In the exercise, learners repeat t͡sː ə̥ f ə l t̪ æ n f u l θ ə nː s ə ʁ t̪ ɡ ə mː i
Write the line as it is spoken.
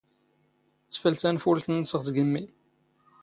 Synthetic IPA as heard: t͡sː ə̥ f ə l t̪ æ n f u l θ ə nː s ə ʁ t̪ ɡ ə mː i